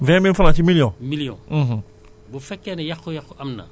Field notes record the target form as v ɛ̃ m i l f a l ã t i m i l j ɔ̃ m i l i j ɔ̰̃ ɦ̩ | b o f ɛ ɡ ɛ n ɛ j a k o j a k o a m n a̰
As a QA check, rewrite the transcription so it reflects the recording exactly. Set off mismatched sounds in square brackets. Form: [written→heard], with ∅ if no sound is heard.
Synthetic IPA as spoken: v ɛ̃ m i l f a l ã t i m i l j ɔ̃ m i l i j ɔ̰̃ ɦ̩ | b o f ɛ [ɡ→k] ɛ n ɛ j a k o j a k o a m n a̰